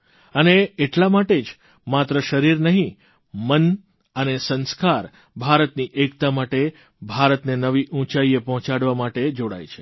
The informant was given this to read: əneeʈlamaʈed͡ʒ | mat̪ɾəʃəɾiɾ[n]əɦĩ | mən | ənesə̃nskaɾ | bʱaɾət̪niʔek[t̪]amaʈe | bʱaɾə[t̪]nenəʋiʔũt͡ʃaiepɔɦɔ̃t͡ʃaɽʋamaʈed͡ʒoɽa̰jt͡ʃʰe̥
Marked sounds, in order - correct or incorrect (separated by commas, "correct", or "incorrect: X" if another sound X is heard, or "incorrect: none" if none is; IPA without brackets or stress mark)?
correct, correct, correct